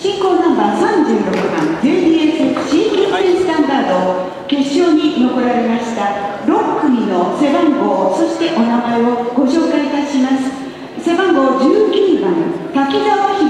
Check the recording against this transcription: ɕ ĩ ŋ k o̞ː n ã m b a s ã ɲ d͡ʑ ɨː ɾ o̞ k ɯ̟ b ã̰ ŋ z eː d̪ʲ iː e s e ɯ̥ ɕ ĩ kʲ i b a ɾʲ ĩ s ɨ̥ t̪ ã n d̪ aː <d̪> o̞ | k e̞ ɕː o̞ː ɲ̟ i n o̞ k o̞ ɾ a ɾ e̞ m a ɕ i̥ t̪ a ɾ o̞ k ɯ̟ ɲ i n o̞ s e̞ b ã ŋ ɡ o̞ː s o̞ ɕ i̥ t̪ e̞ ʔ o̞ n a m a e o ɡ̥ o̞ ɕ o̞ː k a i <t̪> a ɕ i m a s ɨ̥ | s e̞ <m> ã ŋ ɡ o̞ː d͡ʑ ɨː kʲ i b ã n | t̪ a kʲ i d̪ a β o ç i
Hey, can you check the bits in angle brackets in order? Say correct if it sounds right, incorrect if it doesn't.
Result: correct, correct, incorrect

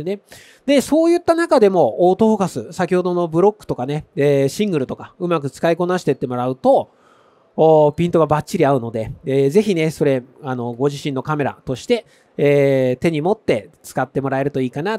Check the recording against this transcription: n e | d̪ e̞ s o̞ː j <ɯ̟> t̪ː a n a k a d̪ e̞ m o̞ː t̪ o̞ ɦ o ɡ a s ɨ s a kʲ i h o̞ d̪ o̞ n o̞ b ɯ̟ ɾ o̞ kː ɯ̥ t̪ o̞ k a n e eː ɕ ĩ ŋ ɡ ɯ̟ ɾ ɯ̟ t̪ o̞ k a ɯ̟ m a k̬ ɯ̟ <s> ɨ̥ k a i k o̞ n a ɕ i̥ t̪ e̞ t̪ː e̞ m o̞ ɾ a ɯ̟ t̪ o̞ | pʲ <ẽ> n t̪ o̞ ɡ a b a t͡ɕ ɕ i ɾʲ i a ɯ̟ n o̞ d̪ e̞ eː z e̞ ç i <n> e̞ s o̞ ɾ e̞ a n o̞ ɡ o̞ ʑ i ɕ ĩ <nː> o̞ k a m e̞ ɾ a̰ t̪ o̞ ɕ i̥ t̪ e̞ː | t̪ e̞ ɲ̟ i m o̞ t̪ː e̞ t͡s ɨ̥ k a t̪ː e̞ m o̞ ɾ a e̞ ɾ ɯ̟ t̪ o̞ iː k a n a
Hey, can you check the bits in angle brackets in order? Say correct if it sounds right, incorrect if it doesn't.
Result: correct, incorrect, incorrect, correct, correct

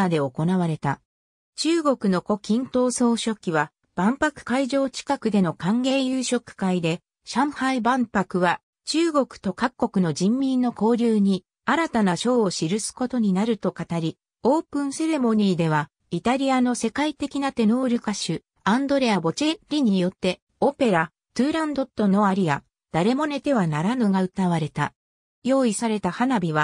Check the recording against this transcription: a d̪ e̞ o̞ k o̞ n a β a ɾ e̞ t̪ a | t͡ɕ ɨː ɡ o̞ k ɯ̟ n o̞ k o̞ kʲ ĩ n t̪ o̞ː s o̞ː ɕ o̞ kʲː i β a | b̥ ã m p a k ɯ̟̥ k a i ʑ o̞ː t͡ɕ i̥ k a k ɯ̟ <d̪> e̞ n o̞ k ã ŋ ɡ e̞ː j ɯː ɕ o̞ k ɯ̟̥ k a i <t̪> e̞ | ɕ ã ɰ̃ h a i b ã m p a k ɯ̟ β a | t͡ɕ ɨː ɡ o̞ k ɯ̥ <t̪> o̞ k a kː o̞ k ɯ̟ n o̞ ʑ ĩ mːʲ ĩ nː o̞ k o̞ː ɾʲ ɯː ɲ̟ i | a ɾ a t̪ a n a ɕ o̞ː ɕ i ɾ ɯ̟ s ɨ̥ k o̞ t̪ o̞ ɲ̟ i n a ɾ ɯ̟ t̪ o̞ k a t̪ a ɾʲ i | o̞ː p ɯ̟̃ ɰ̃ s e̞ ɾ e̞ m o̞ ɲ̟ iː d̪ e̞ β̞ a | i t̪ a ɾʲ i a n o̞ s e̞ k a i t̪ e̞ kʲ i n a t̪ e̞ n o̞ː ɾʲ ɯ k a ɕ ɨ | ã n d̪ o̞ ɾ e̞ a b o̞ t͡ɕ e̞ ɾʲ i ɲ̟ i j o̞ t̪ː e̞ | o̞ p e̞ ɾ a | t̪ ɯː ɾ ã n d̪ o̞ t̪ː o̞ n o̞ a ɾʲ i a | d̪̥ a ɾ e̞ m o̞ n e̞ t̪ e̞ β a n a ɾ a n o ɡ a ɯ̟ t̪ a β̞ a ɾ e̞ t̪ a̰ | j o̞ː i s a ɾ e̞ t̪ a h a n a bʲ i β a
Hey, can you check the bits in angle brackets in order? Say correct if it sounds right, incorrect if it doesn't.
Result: correct, incorrect, correct

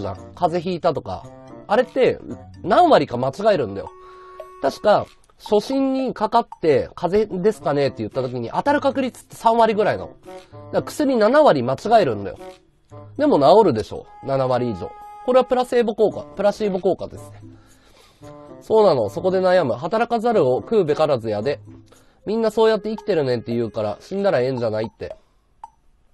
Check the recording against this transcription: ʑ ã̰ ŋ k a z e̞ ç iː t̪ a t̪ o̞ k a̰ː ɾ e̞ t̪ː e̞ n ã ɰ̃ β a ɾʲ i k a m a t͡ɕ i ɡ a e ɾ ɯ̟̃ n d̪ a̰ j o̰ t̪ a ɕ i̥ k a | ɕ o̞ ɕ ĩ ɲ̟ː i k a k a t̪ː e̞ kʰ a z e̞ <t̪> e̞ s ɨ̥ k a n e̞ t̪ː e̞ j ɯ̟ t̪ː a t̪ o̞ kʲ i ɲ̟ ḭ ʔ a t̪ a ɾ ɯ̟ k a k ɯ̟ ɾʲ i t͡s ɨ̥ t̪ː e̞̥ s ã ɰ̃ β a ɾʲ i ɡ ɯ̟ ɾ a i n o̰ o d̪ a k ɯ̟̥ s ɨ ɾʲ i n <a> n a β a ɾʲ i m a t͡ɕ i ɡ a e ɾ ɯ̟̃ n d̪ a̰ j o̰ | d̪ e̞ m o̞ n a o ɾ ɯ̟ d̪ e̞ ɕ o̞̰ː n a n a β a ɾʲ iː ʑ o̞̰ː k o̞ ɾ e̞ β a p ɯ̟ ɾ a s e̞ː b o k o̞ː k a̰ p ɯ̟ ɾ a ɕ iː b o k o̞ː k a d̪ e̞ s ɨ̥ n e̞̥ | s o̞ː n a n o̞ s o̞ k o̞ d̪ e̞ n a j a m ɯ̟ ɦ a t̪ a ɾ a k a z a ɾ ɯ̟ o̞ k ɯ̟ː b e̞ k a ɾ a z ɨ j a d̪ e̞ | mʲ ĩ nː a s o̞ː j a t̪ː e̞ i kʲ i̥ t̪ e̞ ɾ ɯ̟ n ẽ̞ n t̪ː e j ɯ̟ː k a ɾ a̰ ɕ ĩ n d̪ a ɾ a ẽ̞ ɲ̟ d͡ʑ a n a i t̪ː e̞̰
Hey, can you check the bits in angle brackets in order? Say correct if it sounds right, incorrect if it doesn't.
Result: incorrect, correct

